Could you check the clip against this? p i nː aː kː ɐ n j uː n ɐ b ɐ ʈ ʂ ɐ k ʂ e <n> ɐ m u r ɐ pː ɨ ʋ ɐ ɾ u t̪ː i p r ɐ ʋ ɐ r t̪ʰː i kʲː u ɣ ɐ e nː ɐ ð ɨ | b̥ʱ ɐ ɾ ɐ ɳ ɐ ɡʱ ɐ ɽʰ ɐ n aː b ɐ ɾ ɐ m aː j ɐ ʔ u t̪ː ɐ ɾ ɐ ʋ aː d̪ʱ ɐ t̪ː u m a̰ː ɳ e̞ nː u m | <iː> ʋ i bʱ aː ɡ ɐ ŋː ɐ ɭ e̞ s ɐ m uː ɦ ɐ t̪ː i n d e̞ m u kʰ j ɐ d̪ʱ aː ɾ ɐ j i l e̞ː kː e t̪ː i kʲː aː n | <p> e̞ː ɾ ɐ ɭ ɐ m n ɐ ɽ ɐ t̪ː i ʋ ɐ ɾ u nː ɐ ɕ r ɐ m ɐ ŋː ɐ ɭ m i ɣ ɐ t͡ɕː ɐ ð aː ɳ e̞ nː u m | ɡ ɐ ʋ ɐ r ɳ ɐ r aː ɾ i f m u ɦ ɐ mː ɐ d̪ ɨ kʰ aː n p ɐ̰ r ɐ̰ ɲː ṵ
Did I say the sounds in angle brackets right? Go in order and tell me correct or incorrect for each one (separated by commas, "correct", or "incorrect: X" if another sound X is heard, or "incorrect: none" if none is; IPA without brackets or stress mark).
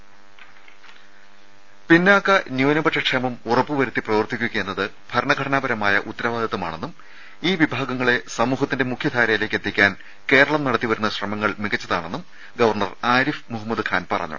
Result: incorrect: m, correct, incorrect: k